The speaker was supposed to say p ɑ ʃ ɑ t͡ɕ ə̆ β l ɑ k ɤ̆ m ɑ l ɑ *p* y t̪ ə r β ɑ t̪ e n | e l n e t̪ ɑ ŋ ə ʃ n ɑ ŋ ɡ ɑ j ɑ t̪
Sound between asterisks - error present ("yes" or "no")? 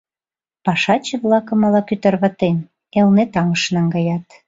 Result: yes